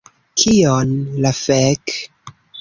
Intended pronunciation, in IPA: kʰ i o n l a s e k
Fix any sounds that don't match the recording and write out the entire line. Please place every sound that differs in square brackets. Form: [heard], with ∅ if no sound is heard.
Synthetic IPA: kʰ i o n l a [f] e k